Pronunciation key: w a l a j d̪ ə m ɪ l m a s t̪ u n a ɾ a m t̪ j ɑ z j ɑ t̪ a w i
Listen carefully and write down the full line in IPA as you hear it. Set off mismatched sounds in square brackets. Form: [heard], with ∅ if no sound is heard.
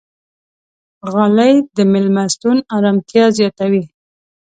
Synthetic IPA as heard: [ɣ] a l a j d̪ ə m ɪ l m a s t̪ u n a ɾ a m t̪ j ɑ z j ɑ t̪ a w i